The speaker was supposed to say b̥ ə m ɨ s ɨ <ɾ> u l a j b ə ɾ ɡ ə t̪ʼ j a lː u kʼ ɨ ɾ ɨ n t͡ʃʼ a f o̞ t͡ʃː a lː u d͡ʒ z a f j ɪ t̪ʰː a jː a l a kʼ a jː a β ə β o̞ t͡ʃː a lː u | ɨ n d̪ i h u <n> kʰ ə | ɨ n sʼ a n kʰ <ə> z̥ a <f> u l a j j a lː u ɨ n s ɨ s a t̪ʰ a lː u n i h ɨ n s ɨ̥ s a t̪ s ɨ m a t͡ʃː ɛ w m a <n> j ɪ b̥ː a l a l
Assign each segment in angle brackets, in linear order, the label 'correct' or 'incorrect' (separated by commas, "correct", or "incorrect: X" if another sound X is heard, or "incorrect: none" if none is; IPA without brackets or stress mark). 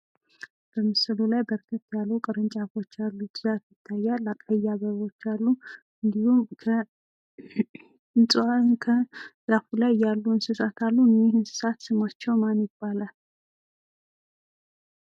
incorrect: l, incorrect: m, correct, correct, correct